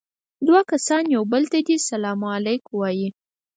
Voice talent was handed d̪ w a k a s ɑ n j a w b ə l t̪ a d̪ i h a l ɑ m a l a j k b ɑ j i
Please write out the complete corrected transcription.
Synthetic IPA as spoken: d̪ w a k a s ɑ n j a w b ə l t̪ a d̪ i s a l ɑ m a l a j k w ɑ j i